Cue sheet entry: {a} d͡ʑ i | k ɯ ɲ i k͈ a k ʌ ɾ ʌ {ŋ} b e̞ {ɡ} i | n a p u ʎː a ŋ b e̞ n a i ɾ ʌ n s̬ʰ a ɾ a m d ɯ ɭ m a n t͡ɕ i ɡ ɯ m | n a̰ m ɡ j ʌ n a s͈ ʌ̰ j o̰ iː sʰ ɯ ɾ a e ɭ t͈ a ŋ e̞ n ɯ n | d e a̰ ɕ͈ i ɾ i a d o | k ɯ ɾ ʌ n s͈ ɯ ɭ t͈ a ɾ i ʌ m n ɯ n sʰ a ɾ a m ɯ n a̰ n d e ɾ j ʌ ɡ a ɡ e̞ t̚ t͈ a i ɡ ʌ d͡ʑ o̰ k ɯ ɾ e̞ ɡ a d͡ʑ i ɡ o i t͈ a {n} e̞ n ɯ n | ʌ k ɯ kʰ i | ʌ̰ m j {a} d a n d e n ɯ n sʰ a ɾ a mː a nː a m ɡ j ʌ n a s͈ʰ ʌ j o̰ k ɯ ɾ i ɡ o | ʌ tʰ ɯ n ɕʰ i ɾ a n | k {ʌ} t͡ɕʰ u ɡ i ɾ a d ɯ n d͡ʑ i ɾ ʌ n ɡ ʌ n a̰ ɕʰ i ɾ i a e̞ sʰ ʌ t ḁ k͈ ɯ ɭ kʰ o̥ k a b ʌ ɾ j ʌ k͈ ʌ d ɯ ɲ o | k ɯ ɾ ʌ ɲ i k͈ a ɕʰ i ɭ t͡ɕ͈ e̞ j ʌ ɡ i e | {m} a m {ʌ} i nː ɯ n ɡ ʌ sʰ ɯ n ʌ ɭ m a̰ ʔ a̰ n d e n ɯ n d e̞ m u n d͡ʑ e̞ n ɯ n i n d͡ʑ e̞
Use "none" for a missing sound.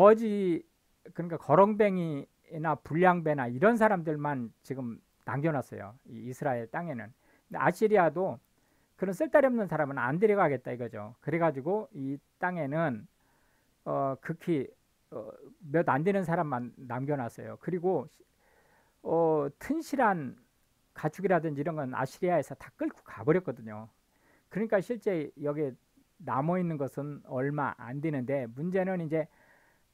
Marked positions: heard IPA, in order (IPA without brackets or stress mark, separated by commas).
ʌ, ŋ, ŋ, ŋ, ʌ, a, n, ʌ